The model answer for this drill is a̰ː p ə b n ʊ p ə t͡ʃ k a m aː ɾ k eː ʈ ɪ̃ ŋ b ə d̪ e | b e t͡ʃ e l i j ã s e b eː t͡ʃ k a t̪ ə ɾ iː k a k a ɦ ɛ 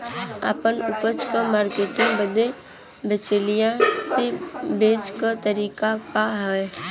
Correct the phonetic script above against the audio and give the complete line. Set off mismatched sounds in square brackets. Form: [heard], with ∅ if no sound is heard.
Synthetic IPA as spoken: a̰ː p ə [∅] n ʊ p ə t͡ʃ k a m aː ɾ k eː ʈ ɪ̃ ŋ b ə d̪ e | b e t͡ʃ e l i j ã s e b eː t͡ʃ k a t̪ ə ɾ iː k a k a ɦ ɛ